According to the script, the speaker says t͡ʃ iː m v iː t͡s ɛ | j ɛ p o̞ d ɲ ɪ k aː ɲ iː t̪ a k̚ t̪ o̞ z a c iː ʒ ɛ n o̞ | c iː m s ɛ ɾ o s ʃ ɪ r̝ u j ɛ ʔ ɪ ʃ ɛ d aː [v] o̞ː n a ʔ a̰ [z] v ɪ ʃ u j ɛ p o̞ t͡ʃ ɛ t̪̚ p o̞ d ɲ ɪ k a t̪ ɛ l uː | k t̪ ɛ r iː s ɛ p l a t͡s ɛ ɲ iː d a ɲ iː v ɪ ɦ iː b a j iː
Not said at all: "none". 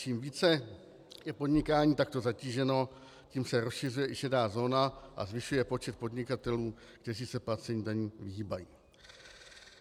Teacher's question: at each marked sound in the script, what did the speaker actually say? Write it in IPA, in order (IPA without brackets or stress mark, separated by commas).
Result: z, z